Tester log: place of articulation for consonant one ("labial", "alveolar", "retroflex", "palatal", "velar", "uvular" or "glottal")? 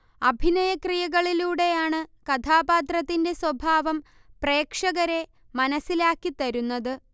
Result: labial